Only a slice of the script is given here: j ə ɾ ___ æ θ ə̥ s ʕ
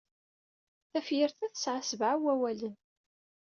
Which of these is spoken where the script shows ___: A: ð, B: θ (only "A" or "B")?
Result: B